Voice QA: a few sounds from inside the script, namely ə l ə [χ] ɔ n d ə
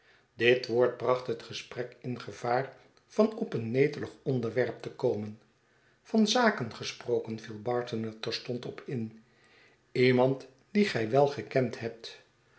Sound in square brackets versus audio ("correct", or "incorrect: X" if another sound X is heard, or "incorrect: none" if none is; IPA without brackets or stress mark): correct